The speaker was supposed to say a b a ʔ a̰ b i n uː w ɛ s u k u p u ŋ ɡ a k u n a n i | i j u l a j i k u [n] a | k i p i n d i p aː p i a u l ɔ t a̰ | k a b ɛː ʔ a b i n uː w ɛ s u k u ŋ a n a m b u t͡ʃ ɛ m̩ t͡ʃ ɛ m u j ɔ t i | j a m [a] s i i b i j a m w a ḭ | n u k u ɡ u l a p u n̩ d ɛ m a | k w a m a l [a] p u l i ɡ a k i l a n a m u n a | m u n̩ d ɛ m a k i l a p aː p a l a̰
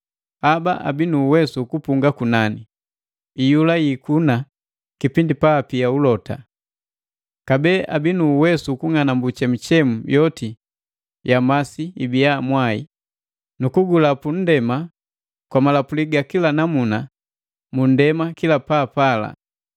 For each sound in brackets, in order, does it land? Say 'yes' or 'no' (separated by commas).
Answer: yes, yes, yes